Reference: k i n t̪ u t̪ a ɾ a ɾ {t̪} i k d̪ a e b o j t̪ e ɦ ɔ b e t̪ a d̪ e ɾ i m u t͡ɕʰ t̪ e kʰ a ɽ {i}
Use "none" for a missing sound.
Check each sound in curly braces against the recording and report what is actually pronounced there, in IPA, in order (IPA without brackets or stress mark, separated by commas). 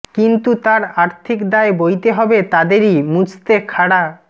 t̪ʰ, a